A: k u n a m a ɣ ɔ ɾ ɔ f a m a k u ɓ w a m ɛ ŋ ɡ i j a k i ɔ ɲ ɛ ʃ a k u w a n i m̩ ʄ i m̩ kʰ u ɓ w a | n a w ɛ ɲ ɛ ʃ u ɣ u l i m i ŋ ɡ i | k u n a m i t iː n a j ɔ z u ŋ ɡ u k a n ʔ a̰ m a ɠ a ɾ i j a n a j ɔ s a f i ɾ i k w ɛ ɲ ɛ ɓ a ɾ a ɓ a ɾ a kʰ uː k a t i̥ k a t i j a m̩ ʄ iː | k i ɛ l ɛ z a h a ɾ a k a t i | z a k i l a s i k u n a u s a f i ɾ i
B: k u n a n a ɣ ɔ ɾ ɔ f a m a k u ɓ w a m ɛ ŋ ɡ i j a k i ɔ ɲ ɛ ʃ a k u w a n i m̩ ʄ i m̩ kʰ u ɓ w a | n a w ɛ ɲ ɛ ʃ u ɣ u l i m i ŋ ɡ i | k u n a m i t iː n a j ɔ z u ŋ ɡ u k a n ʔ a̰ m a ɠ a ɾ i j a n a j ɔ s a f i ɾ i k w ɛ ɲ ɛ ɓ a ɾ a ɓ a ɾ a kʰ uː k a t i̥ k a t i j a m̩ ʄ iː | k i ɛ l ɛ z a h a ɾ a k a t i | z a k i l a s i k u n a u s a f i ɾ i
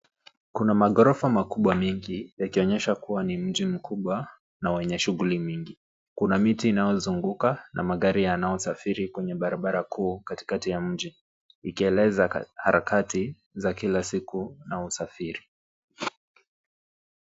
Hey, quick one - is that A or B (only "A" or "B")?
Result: A